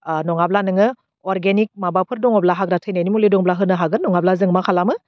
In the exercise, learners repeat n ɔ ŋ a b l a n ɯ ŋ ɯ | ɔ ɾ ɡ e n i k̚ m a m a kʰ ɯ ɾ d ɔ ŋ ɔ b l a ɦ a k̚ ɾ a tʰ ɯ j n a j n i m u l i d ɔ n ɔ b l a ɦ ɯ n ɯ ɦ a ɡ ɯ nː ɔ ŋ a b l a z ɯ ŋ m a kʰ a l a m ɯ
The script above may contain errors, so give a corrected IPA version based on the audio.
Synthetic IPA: n ɔ ŋ a b l a n ɯ ŋ ɯ | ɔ ɾ ɡ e n i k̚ m a b a pʰ ɯ ɾ d ɔ ŋ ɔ b l a ɦ a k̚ ɾ a tʰ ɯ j n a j n i m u l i d ɔ ŋ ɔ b l a ɦ ɯ n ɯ ɦ a ɡ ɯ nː ɔ ŋ a b l a z ɯ ŋ m a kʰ a l a m ɯ